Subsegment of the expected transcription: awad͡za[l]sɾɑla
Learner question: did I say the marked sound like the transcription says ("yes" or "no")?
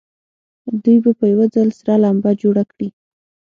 yes